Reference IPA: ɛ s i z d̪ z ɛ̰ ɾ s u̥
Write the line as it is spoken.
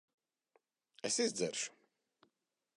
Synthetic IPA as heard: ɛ s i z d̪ z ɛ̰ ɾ ʃ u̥

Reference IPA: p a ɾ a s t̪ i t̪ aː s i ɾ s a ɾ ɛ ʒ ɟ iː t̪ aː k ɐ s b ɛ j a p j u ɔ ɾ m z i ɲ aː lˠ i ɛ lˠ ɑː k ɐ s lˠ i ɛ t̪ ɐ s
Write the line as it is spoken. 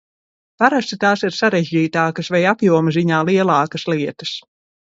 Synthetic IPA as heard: p a ɾ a s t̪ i t̪ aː s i ɾ s a ɾ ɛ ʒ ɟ iː t̪ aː k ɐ s v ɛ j a p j u ɔ m z i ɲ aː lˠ i ɛ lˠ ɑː k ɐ s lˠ i ɛ t̪ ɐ s

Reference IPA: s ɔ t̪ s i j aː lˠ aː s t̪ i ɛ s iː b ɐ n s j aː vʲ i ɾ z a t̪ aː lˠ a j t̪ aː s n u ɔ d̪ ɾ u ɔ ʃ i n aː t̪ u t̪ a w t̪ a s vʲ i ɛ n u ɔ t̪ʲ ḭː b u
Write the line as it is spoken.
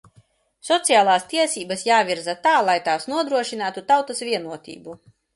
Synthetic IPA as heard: s ɔ t̪ s i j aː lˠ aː s t̪ i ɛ s iː b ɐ s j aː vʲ i ɾ z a t̪ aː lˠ a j t̪ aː s n u ɔ d̪ ɾ u ɔ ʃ i n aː t̪ u t̪ a w t̪ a s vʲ i ɛ n u ɔ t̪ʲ ḭː b u

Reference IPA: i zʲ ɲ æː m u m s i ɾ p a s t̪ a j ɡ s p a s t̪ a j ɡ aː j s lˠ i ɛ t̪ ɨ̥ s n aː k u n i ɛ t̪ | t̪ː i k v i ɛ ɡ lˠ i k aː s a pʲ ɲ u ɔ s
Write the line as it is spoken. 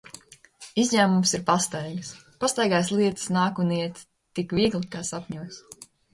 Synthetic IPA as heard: i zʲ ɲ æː m u m s i ɾ p a s t̪ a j ɡ s p a s t̪ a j ɡ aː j s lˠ i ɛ t̪ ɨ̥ s n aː k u n i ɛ t̪ | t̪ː i k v i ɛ ɡ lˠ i k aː s a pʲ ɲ u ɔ s

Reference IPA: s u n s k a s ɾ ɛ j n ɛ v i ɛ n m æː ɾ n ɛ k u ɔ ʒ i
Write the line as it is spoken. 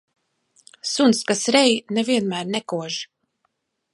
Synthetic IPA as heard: s u n s k a s ɾ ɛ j n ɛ v i ɛ n m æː ɾ n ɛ k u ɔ ʒ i

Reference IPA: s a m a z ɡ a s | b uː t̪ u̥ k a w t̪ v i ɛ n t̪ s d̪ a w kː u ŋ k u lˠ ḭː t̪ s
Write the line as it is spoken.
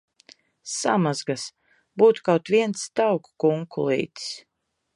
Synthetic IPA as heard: s a m a z ɡ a s | b uː t̪ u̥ k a w t̪ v i ɛ n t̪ s t̪ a w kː u ŋ k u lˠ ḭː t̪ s

